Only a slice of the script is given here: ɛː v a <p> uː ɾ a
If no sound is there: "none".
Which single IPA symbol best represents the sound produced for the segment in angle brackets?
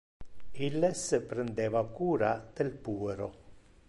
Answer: k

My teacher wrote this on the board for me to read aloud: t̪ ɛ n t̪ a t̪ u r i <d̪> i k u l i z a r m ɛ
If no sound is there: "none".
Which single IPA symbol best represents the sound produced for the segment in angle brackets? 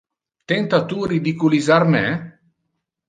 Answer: d̪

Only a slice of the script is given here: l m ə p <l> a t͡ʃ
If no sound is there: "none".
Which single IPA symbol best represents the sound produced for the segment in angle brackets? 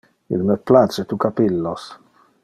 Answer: l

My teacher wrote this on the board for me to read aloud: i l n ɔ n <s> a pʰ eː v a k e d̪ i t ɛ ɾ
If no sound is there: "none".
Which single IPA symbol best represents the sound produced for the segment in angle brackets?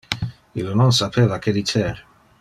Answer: s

